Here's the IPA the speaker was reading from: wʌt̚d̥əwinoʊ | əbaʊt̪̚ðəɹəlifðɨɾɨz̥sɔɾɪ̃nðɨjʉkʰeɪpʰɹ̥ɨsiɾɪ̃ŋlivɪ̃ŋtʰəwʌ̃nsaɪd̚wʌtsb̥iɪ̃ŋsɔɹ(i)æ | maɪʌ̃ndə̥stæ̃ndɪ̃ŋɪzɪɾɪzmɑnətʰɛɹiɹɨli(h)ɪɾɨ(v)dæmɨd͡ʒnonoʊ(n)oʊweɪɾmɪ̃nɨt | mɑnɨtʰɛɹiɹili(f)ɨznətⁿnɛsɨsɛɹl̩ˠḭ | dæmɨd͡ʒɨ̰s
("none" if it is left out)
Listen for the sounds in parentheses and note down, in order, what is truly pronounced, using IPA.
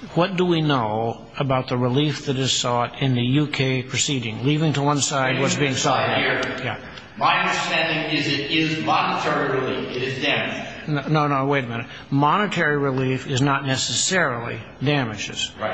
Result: j, f, z, n, f

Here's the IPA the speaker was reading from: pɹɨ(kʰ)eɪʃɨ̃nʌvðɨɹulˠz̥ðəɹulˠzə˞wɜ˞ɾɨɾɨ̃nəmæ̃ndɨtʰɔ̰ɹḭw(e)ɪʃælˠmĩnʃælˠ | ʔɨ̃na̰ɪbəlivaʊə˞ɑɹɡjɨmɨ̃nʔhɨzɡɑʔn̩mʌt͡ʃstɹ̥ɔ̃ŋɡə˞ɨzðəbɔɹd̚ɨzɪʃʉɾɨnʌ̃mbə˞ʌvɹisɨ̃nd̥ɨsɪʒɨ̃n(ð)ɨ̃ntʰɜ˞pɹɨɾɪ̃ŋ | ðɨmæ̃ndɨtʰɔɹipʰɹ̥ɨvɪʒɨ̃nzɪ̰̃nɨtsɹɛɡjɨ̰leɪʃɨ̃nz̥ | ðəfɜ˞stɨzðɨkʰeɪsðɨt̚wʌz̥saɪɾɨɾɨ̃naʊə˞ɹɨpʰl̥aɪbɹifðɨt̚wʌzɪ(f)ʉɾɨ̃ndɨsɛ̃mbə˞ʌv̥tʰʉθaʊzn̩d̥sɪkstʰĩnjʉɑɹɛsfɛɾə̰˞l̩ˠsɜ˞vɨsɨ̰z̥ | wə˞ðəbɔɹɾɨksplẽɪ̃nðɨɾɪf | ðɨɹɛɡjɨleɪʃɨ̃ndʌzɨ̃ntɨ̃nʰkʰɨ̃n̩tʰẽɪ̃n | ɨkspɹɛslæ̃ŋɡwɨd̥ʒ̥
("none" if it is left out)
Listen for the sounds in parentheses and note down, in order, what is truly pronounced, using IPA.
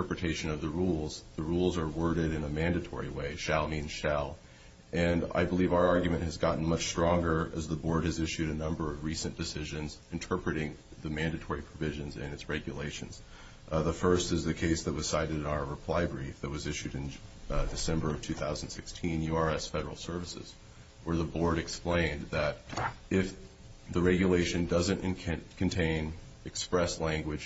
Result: tʰ, e, z, ʃ

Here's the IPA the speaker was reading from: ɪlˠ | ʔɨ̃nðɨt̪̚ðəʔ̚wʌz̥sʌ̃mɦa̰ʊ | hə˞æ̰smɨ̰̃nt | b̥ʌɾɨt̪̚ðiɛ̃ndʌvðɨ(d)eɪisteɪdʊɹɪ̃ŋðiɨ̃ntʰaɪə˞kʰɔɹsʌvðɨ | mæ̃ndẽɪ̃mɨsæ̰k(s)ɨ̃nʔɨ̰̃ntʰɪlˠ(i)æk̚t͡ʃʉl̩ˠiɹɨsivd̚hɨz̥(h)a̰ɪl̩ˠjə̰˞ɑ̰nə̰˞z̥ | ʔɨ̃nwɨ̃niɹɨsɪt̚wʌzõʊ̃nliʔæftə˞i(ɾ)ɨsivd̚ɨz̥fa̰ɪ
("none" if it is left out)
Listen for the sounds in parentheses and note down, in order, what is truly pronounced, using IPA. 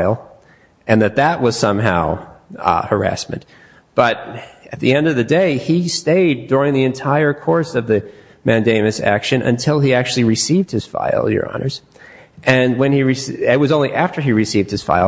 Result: d, ʃ, i, f, ɹ

